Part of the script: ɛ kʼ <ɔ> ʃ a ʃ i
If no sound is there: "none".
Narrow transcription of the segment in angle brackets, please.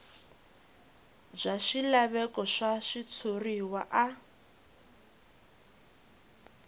ɔ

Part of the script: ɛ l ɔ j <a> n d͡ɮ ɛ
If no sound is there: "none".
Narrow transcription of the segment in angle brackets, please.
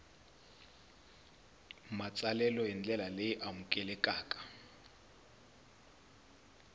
ɛ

